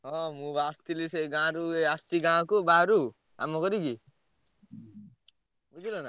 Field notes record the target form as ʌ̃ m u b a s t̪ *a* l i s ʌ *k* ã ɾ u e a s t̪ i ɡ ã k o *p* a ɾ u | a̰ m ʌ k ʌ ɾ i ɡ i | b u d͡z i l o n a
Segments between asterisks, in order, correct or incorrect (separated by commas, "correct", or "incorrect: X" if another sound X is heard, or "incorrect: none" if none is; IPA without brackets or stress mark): incorrect: i, incorrect: ɡ, incorrect: b